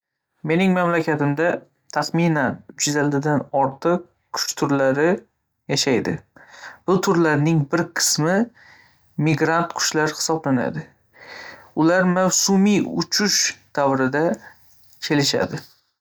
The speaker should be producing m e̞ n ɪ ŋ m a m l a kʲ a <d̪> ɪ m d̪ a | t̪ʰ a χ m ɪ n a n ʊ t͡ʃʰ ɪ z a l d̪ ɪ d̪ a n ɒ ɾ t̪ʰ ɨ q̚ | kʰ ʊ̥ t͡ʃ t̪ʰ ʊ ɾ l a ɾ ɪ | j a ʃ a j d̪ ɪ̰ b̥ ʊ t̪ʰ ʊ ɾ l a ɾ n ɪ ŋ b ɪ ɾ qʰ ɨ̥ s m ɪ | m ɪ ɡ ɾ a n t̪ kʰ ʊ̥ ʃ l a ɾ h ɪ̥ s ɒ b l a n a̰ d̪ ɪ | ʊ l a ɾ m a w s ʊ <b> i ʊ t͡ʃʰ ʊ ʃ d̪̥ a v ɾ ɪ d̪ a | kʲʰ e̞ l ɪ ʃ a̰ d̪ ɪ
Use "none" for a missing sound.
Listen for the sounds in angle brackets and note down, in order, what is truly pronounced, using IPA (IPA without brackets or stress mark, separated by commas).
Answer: t̪, m